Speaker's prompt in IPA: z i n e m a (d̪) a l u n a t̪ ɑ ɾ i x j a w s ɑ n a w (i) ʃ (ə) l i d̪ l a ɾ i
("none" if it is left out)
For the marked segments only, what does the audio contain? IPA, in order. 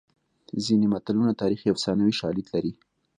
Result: t̪, i, ɑ

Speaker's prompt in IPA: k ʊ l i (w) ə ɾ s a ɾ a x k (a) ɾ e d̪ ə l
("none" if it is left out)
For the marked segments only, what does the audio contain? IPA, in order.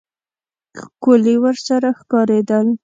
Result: w, ɑ

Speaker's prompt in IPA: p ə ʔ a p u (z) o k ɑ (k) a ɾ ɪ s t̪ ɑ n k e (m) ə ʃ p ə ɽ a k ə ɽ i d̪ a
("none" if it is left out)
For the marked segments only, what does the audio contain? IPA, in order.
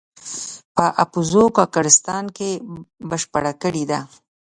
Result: z, k, b

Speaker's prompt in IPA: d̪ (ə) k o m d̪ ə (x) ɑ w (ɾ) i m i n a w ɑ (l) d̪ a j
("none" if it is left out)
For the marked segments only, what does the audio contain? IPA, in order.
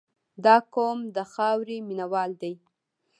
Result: ɑ, x, ɾ, l

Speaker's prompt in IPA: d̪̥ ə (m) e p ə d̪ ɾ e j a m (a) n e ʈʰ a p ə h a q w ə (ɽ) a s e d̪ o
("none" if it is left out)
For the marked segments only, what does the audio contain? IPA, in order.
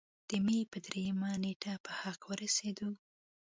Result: m, a, ɾ

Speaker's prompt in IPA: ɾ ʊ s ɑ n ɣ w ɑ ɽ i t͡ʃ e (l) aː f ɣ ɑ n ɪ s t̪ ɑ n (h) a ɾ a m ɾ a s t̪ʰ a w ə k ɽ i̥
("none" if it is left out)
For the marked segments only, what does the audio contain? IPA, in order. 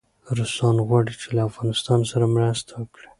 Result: l, s

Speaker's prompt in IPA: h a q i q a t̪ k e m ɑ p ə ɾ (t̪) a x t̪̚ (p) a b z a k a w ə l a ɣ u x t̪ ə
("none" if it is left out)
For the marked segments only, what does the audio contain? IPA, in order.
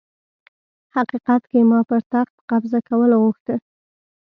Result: t̪, q

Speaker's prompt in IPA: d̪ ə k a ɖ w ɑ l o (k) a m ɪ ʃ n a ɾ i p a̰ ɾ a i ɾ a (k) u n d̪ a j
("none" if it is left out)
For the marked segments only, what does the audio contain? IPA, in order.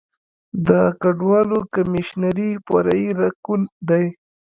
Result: k, k

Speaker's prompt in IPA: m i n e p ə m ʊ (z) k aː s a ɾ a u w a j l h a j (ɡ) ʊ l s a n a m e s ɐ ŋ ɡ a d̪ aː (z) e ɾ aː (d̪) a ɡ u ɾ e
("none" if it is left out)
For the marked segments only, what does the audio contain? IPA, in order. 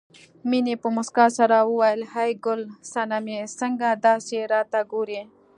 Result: s, ɡ, s, t̪

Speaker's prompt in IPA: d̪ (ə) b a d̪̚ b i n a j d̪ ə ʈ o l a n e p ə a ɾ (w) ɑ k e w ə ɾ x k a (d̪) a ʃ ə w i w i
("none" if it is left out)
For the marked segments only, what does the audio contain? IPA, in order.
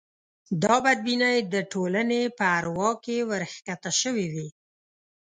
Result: ɑ, w, t̪

